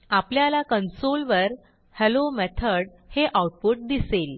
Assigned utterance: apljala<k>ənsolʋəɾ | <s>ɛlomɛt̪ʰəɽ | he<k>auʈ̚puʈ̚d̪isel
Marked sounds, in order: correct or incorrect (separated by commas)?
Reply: correct, incorrect, incorrect